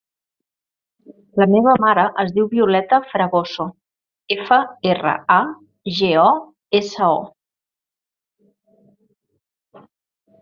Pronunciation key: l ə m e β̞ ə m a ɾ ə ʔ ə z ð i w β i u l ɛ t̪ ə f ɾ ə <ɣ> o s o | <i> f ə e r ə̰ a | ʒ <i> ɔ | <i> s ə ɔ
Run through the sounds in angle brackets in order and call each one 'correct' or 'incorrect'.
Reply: correct, incorrect: e, incorrect: e, incorrect: e

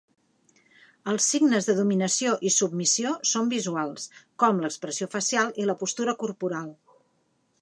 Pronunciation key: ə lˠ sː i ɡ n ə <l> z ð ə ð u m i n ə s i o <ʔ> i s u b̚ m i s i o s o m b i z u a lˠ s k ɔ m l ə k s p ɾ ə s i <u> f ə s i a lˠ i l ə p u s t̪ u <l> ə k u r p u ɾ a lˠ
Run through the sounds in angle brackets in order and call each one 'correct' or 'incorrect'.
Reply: incorrect: none, correct, incorrect: o, incorrect: ɾ

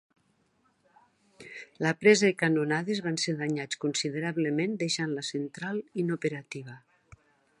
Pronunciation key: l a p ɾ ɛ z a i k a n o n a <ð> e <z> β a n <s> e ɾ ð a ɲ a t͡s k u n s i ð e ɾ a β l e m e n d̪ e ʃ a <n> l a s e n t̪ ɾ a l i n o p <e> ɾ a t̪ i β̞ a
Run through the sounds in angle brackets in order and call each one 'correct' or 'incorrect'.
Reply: correct, correct, correct, correct, correct

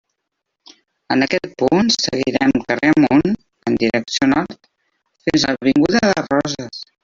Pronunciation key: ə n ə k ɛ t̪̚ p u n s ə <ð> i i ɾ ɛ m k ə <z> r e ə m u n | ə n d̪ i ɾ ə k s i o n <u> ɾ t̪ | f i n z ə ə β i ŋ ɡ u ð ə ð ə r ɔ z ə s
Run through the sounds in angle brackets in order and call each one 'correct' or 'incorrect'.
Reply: incorrect: ɣ, incorrect: none, incorrect: ɔ

